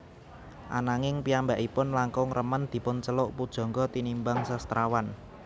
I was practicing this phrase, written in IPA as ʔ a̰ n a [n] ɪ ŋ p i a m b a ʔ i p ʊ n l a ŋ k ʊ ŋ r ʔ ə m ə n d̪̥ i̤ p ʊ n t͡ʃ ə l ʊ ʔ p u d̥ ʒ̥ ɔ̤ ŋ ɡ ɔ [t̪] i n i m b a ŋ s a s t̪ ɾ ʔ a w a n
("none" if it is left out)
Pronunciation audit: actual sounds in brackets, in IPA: ŋ, t̪

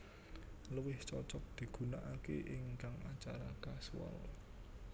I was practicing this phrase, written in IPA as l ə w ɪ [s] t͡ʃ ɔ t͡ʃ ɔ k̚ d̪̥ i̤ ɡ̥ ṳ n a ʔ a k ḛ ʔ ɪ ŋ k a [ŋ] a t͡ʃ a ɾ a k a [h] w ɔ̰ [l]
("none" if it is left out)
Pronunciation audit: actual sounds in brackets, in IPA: h, ŋ, s, l

